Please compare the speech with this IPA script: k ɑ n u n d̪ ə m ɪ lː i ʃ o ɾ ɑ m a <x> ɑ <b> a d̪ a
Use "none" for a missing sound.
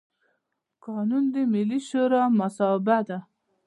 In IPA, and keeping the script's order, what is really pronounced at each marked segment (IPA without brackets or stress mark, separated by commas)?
s, b